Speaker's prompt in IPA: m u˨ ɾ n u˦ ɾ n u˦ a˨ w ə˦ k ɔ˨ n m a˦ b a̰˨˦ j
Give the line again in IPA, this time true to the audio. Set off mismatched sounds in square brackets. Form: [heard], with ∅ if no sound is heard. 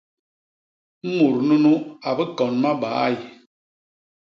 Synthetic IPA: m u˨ ɾ n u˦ [∅] n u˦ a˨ [b] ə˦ k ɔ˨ n m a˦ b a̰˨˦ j